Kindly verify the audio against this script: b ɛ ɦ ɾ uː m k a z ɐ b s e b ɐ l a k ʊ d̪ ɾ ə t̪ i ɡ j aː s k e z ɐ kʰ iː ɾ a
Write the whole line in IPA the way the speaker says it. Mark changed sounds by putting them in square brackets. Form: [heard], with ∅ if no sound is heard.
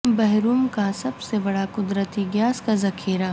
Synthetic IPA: b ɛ ɦ ɾ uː m k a [s] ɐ b s e b ɐ [ɽ] a k ʊ d̪ ɾ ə t̪ i ɡ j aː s k [a] z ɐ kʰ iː ɾ a